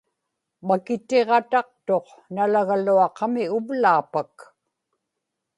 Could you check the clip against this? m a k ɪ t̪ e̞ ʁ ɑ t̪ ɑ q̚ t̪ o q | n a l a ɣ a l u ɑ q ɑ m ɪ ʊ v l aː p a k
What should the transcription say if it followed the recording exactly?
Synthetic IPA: m a k ɪ t̪ e̞ ʁ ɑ t̪ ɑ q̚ t̪ o q | n a l a ɣ a l u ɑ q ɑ m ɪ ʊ v l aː p a k

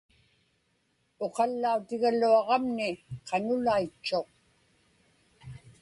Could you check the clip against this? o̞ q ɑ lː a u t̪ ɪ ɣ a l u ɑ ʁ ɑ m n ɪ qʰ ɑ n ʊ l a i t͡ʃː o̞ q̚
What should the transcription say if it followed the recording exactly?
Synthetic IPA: o̞ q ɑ lː a u t̪ ɪ ɣ a l u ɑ ʁ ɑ m n ɪ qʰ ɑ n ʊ l a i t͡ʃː o̞ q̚

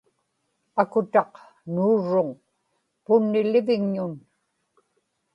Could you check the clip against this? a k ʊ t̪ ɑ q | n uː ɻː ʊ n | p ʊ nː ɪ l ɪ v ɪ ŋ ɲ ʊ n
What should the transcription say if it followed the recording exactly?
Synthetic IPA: a k ʊ t̪ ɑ q | n uː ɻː ʊ ŋ | p ʊ nː ɪ l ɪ v ɪ ŋ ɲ ʊ n

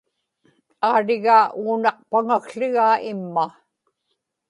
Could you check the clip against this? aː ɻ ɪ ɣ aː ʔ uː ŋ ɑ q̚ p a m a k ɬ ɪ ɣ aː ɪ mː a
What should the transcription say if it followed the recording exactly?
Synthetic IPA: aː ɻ ɪ ɣ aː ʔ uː n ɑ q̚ p a ŋ a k ɬ ɪ ɣ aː ɪ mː a

